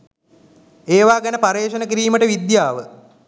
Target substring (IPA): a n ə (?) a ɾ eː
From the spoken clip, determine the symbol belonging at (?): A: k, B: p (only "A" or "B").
B